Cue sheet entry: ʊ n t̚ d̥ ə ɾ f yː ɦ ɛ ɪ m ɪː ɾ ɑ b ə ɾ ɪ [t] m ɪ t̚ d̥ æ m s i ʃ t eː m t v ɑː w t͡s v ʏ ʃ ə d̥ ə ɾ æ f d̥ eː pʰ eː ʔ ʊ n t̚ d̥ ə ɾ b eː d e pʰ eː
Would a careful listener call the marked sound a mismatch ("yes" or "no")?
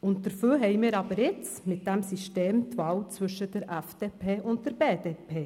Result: yes